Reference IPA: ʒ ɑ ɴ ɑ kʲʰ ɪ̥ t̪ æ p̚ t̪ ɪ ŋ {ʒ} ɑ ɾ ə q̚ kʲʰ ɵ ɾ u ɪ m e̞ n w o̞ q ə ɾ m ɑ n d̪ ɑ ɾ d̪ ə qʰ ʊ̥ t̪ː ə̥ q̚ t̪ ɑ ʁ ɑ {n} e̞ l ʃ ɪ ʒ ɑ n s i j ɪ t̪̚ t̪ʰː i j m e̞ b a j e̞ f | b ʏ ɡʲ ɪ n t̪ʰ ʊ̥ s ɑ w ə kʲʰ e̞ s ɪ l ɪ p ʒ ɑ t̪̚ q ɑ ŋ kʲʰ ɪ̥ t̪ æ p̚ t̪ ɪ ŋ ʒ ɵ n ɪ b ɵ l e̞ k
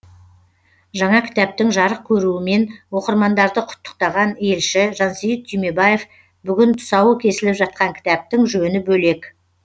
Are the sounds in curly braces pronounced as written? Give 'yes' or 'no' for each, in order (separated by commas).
yes, yes